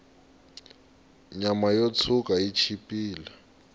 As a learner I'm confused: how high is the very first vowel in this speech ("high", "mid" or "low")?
low